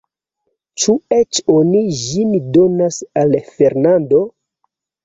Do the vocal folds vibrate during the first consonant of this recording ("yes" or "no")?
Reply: no